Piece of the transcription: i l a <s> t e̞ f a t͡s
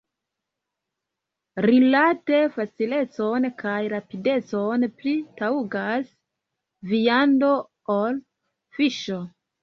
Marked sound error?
yes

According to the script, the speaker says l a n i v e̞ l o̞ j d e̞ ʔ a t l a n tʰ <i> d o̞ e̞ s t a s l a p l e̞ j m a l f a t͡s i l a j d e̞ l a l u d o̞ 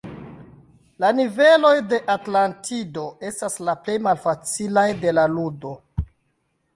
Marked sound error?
no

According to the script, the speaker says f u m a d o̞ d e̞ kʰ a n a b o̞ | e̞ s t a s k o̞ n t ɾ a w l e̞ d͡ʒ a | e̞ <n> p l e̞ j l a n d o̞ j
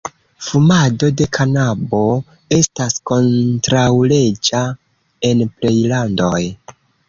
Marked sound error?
no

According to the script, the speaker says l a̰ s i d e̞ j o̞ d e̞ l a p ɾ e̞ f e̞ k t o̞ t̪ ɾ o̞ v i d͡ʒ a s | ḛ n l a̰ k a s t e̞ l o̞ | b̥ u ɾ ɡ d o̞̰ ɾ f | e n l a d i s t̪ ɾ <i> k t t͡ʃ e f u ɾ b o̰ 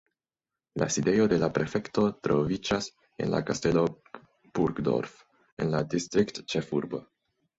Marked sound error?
no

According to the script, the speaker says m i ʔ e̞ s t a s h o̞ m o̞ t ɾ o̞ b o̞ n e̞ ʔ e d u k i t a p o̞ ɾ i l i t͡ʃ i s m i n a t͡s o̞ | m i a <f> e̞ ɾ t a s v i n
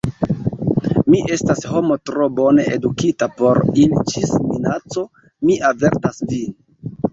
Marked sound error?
yes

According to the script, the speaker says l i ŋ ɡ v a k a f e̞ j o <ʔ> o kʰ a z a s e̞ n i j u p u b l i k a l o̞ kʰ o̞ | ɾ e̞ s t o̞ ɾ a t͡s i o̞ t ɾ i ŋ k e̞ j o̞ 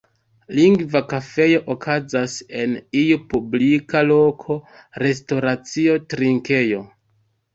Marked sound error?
no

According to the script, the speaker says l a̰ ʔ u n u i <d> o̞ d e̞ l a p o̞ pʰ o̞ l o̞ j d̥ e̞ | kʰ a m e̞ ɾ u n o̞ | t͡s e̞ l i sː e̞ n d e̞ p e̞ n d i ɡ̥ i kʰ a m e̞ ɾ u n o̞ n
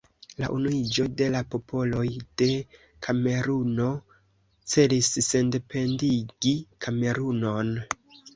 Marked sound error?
yes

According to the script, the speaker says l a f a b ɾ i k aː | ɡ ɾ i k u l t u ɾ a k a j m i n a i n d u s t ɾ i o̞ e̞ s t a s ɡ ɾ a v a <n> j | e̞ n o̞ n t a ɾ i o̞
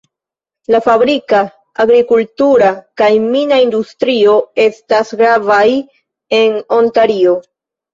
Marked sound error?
yes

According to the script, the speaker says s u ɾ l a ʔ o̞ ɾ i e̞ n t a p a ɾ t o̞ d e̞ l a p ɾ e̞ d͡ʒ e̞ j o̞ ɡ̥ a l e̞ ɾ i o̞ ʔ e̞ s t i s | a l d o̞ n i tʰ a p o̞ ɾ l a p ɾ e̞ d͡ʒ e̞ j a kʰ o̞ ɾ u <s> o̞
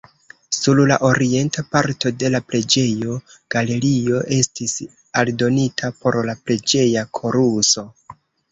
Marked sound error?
no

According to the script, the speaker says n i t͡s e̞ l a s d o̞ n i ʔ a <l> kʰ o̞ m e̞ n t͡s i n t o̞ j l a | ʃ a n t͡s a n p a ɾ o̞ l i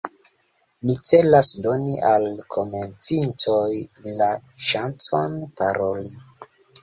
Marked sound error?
no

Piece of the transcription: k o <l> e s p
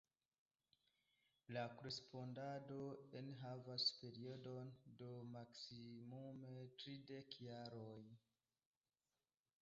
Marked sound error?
yes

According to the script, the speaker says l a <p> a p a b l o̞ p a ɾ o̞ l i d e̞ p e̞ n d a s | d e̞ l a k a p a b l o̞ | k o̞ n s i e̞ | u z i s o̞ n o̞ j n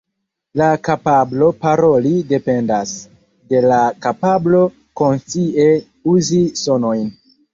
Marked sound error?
yes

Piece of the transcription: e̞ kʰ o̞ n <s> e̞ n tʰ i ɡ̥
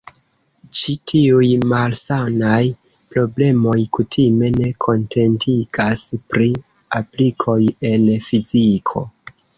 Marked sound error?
yes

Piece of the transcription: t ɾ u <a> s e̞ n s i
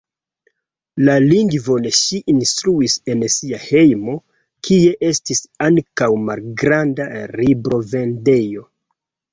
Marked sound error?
yes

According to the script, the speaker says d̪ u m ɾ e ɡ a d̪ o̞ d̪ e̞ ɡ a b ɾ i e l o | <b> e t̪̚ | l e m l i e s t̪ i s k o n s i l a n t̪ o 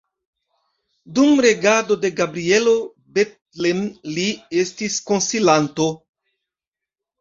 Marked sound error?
no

